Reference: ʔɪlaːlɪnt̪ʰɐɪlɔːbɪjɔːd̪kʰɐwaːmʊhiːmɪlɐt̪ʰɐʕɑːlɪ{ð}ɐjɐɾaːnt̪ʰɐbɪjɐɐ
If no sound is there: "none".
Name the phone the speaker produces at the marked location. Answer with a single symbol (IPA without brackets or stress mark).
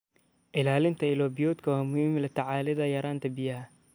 ð